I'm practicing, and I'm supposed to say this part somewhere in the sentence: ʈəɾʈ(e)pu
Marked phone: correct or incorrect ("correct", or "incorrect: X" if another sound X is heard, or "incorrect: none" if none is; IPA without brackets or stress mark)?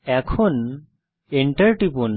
incorrect: i